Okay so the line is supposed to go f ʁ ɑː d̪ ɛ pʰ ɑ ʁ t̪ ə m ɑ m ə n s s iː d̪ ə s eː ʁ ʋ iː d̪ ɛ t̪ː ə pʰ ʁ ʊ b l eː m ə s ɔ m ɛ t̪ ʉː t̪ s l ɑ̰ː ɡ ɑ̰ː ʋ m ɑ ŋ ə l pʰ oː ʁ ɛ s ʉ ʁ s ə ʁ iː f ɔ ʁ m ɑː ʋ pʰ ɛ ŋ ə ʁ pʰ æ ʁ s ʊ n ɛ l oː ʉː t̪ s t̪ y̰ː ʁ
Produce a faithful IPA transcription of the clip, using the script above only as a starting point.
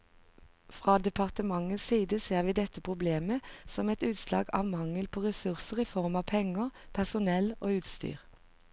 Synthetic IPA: f ʁ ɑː d̪ ɛ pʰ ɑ ʁ t̪ ə m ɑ ŋ ə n s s iː d̪ ə s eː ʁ ʋ iː d̪ ɛ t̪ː ə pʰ ʁ ʊ b l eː m ə s ɔ m ɛ t̪ ʉː t̪ s l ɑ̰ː ɡ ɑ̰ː ʋ m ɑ ŋ ə l pʰ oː ʁ ɛ s ʉ ʁ s ə ʁ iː f ɔ ʁ m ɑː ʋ pʰ ɛ ŋ ə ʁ pʰ æ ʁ s ʊ n ɛ l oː ʉː t̪ s t̪ y̰ː ʁ